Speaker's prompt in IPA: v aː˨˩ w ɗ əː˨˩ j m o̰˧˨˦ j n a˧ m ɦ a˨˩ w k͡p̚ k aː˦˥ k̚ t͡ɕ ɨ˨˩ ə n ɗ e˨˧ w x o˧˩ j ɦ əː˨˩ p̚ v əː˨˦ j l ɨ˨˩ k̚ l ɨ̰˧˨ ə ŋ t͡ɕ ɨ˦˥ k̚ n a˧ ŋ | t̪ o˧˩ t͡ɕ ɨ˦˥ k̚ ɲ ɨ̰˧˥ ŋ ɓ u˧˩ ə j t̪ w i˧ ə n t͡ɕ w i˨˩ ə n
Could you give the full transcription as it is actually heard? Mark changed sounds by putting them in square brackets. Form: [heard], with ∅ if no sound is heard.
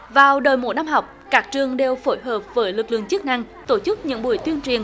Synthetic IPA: v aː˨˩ w ɗ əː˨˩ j m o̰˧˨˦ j n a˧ m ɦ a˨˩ w k͡p̚ k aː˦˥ k̚ t͡ɕ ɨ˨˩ ə [ŋ] ɗ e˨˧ w [f] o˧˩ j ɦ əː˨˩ p̚ v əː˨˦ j l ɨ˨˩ k̚ l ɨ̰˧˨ ə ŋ t͡ɕ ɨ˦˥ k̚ n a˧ ŋ | t̪ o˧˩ t͡ɕ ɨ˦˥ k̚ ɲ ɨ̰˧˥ ŋ ɓ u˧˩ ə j t̪ w i˧ ə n t͡ɕ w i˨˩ ə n